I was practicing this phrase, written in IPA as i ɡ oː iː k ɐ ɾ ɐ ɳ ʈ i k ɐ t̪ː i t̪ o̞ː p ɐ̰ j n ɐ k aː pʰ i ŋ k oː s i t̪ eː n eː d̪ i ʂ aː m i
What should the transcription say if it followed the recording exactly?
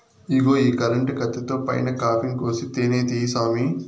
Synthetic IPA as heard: i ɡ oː iː k ɐ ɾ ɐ ɳ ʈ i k ɐ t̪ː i t̪ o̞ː p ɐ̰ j n ɐ k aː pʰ i ŋ k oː s i t̪ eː n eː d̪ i s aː m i

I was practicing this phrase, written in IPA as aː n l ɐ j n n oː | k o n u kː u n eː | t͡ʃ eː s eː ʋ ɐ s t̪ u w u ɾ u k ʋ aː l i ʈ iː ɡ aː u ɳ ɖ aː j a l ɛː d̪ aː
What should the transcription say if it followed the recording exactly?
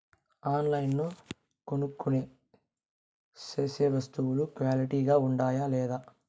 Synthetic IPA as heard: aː n l ɐ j n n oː | k o n u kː u n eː | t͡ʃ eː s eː ʋ ɐ s t̪ u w u l u k ʋ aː l i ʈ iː ɡ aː u ɳ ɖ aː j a l ɛː d̪ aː

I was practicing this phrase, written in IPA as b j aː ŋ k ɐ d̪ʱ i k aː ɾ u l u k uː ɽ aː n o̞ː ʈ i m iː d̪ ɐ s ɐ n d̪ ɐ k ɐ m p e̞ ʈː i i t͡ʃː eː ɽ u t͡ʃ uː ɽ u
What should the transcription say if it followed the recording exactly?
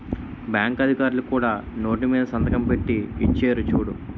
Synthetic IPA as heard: b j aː ŋ k ɐ d̪ʱ i k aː ɾ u l u k uː ɽ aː n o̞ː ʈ i m iː d̪ ɐ s ɐ n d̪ ɐ k ɐ m p e̞ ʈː i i t͡ʃː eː ɾ u t͡ʃ uː ɽ u

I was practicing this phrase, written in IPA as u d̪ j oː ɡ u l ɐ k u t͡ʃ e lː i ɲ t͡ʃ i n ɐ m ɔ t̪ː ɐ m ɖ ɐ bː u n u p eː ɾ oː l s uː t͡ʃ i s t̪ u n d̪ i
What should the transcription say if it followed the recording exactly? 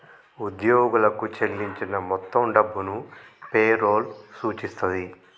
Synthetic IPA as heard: u d̪ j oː ɡ u l ɐ k u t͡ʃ e lː i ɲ t͡ʃ i n ɐ m ɔ t̪ː ɐ m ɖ ɐ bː u n u p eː ɾ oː l s uː t͡ʃ i s t̪ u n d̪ i

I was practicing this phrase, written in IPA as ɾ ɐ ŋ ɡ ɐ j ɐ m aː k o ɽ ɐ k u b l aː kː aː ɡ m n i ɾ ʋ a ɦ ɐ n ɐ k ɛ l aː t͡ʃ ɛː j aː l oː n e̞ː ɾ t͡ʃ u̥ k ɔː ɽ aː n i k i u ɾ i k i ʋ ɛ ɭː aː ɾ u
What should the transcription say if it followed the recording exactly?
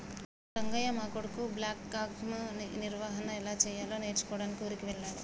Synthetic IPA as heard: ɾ ɐ ŋ ɡ ɐ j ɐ m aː k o ɽ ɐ k u b l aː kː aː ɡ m n i ɾ ʋ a ɦ ɐ n ɐ ɛ l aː t͡ʃ ɛː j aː l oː n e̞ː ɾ t͡ʃ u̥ k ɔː ɽ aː n i k i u ɾ i k i ʋ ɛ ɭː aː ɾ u

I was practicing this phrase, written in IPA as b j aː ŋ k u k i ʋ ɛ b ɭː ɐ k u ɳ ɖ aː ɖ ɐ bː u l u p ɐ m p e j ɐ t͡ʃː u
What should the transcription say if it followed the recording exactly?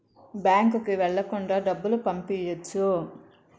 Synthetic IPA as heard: b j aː ŋ k u k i ʋ ɛ ɭː ɐ k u ɳ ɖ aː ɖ ɐ bː u l u p ɐ m p i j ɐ t͡ʃː u

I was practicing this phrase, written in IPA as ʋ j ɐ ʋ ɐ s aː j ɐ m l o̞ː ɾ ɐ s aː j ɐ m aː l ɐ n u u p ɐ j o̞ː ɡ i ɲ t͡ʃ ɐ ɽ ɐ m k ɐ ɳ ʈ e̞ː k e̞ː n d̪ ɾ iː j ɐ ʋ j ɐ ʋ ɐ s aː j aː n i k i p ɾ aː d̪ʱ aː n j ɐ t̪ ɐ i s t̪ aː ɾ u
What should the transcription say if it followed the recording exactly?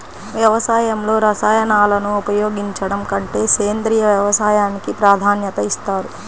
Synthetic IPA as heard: ʋ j ɐ ʋ ɐ s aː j ɐ m l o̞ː ɾ ɐ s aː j ɐ n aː l ɐ n u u p ɐ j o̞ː ɡ i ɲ t͡ʃ ɐ ɽ ɐ m k ɐ ɳ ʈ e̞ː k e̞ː n d̪ ɾ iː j ɐ ʋ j ɐ ʋ ɐ s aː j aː n i k i p ɾ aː d̪ʱ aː n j ɐ t̪ ɐ i s t̪ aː ɾ u

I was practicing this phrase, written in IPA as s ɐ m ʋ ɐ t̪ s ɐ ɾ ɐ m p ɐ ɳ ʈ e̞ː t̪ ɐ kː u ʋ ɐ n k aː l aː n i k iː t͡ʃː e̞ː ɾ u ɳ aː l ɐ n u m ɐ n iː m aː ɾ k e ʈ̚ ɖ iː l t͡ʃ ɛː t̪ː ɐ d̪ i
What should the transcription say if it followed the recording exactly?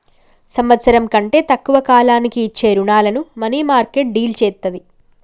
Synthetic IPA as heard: s ɐ m ʋ ɐ t̪ s ɐ ɾ ɐ m k ɐ ɳ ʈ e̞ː t̪ ɐ kː u ʋ ɐ k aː l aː n i k iː t͡ʃː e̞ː ɾ u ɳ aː l ɐ n u m ɐ n iː m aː ɾ k e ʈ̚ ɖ iː l t͡ʃ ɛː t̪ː ɐ d̪ i

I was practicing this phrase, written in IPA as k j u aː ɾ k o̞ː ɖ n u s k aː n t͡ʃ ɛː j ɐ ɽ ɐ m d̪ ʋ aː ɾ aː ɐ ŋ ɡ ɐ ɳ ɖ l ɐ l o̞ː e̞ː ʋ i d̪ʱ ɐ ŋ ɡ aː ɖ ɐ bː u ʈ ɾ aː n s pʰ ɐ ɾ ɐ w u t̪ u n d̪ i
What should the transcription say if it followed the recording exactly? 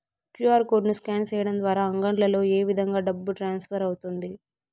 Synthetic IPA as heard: k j u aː ɾ k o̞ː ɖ n u s k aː n t͡ʃ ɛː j ɐ ɽ ɐ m d̪ ʋ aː ɾ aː ɐ ŋ ɡ ɐ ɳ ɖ l ɐ l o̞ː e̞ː ʋ i d̪ʱ ɐ ŋ ɡ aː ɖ ɐ bː u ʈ ɾ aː n s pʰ ɐ ɾ ɐ w u t̪ u n d̪ i

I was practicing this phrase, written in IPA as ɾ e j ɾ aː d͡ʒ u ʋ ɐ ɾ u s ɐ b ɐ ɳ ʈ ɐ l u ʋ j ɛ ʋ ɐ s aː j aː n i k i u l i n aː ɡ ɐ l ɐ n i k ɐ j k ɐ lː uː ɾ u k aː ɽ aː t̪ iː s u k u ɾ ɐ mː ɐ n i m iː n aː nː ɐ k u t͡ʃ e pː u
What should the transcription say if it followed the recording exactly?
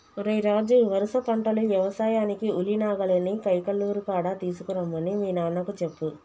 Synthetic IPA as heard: ɾ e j ɾ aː d͡ʒ u ʋ ɐ ɾ u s ɐ p ɐ ɳ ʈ ɐ l u ʋ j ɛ ʋ ɐ s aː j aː n i k i u l i n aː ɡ ɐ l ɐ n i k ɐ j k ɐ lː uː ɾ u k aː ɽ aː t̪ iː s u k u ɾ ɐ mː ɐ n i m iː n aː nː ɐ k u t͡ʃ e pː u

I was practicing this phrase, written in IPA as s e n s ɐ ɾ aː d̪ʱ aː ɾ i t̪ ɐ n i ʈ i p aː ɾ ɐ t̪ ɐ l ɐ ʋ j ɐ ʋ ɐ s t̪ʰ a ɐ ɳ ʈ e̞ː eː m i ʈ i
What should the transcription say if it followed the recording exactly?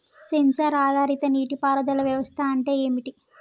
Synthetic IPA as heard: s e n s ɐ ɾ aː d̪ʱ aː ɾ i t̪ ɐ n iː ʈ i p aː ɾ ɐ d̪ ɐ l ɐ ʋ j ɐ ʋ ɐ s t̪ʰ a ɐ ɳ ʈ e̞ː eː m i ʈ i

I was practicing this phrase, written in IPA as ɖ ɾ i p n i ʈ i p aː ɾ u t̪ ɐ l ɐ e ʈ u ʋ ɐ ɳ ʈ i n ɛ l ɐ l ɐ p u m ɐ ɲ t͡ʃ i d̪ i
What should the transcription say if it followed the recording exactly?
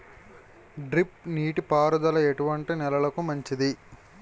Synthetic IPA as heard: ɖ ɾ i p n iː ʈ i p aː ɾ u d̪ ɐ l ɐ e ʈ u ʋ ɐ ɳ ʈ i n ɛ l ɐ l ɐ k u m ɐ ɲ t͡ʃ i d̪ i

